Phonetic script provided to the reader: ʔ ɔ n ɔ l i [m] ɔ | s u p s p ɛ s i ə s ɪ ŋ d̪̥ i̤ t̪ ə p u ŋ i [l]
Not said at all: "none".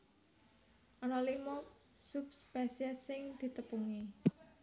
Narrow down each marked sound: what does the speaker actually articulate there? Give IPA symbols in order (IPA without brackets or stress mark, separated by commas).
m, none